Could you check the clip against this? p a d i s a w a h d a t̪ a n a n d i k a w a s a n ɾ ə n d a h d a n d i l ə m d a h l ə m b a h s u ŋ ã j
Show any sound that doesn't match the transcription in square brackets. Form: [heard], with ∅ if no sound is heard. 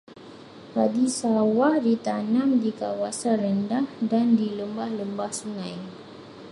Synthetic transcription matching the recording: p a d i s a w a h d [i] t̪ a n a [m] d i k a w a s a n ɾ ə n d a h d a n d i l ə m [b] a h l ə m b a h s u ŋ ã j